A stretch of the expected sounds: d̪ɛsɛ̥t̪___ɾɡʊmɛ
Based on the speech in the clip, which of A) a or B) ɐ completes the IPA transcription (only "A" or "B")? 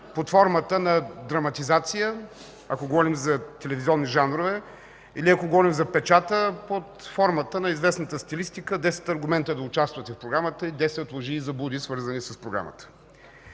B